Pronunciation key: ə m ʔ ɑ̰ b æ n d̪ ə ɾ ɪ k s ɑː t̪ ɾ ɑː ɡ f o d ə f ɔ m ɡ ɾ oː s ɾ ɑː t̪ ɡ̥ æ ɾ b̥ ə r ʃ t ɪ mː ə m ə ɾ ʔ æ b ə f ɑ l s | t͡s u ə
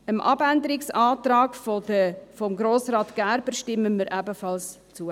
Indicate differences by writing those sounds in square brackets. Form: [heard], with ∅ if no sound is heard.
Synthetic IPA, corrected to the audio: ə m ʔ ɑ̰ b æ n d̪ ə ɾ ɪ k s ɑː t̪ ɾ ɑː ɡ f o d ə f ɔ m ɡ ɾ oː s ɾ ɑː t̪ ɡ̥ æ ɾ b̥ ə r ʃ t ɪ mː ə m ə ɾ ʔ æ b ə f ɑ l s | t͡s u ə

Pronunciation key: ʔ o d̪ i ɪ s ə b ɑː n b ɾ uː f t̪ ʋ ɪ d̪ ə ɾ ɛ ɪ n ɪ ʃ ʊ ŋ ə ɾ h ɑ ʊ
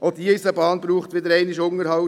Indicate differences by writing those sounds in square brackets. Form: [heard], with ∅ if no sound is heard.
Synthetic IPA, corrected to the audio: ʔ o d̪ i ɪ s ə b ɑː n b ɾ uː [χ] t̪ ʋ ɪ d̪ ə ɾ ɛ ɪ n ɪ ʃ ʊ ŋ ə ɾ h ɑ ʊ

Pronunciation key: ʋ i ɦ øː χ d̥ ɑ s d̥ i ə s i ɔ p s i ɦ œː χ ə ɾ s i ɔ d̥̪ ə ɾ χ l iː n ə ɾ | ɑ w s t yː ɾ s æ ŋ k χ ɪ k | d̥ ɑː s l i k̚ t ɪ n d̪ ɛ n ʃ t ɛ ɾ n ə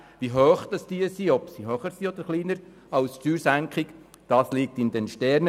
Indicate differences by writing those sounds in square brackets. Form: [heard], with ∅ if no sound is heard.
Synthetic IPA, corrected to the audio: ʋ i ɦ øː χ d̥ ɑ s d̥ i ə s i ɔ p s i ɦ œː χ ə ɾ s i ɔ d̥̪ ə ɾ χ l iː n ə ɾ | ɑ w s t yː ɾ s æ ŋ k χ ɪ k | d̥ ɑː s l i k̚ t ɪ n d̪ ɛ n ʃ t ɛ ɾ n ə

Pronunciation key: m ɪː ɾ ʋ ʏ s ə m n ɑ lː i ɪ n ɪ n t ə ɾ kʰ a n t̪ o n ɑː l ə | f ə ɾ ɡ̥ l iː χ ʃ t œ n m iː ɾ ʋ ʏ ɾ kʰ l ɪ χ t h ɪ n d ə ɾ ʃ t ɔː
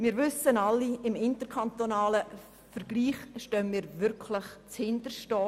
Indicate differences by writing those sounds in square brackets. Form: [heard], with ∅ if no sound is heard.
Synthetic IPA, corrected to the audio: m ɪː ɾ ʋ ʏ s ə [∅] n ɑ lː i ɪ [m] ɪ n t ə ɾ kʰ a n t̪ o n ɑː l ə | f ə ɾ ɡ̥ l iː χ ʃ t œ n m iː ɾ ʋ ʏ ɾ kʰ l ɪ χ [t͡s] h ɪ n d ə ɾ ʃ t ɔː

